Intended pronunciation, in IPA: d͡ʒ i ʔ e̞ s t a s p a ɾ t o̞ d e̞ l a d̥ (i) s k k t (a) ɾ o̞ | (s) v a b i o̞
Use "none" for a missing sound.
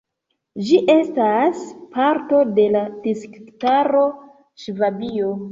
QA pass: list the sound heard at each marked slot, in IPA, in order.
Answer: i, a, ʃ

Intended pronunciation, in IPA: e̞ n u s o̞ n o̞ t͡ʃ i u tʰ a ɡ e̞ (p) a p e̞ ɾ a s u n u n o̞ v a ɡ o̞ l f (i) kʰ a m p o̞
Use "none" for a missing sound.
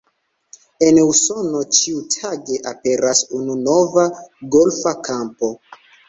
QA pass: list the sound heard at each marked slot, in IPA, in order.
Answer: ʔ, a

